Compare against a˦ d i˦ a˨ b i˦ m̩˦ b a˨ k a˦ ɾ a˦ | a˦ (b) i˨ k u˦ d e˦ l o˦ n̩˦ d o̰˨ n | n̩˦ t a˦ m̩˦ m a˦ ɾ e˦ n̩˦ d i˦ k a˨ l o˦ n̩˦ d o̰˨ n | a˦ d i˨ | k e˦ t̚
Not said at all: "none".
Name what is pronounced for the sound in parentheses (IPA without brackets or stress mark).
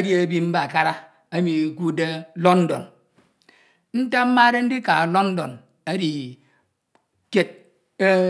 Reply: m